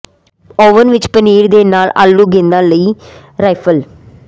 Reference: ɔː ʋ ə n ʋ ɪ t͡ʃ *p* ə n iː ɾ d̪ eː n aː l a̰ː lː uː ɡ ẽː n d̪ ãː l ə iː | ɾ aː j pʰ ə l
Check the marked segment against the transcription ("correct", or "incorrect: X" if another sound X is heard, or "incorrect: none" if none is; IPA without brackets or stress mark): correct